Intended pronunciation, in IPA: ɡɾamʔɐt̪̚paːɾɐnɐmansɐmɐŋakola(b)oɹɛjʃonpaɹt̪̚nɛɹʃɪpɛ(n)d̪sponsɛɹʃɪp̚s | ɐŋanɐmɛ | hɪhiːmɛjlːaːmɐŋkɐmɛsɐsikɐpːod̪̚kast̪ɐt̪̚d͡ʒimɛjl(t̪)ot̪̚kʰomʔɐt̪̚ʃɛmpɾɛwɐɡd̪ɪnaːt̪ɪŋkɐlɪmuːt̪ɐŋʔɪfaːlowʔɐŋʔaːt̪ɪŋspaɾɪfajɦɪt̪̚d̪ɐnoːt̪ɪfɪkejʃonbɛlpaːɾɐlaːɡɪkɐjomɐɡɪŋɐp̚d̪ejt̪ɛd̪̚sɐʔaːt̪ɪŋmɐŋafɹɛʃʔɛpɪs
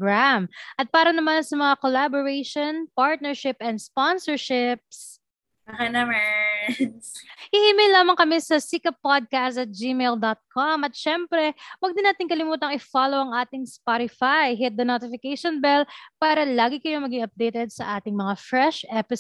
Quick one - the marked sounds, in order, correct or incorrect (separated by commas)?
correct, correct, incorrect